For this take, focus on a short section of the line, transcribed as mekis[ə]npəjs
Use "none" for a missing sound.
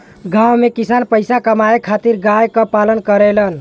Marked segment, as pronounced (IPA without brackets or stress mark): a